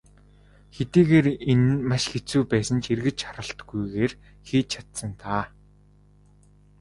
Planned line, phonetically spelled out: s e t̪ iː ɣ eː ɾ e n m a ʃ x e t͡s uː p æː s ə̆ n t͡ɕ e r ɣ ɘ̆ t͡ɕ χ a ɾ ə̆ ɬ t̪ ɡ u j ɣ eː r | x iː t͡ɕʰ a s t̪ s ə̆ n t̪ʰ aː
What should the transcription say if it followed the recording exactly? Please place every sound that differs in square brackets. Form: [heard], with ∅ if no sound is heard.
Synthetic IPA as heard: [x] e t̪ iː ɣ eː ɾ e n m a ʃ x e t͡s uː p æː s ə̆ n t͡ɕ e r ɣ ɘ̆ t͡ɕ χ a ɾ ə̆ ɬ t̪ ɡ u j ɣ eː r | x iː t͡ɕʰ a [∅] t̪ s ə̆ n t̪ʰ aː